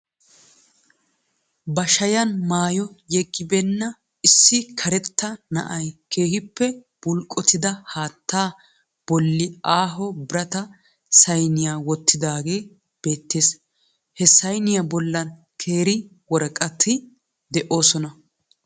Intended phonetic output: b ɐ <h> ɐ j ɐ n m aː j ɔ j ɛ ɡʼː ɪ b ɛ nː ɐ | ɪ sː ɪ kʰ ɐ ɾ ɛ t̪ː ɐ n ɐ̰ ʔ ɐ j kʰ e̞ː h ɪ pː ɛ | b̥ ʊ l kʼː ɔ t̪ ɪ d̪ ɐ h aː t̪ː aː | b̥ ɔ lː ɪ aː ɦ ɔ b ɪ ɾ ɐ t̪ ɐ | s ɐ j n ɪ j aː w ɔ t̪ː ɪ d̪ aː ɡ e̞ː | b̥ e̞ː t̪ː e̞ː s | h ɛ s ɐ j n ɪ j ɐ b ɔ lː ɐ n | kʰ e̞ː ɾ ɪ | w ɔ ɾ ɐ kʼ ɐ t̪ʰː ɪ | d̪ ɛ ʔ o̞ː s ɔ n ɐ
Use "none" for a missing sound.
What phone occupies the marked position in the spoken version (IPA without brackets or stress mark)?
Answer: ʃ